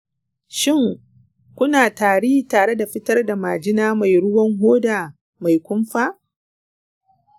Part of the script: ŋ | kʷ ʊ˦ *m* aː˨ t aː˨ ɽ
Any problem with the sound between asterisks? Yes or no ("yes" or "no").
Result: yes